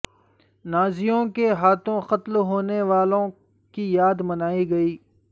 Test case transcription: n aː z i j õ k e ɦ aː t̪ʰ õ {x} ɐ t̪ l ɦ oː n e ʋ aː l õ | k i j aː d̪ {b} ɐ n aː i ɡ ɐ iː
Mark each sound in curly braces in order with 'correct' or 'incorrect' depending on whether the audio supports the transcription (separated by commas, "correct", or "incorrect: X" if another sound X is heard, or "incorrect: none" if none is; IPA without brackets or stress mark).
correct, incorrect: m